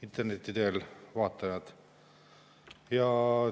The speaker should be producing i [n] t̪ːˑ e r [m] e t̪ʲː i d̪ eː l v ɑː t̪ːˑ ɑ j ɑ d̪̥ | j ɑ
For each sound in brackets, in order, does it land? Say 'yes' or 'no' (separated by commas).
yes, no